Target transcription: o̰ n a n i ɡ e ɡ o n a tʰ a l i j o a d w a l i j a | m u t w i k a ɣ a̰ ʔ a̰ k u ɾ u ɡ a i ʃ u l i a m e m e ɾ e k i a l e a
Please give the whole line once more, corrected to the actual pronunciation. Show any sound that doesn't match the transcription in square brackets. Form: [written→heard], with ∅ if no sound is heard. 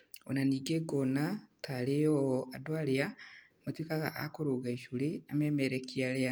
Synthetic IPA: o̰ n a n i ɡ e ɡ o n a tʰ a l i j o a d w a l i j a | m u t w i k a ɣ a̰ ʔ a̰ k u ɾ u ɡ a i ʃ u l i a m e m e ɾ e k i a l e a